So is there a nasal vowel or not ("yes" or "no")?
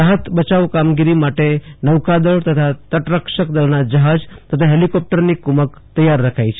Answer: no